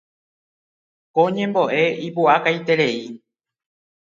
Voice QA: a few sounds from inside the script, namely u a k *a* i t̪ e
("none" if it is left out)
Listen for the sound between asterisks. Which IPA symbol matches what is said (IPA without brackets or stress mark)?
a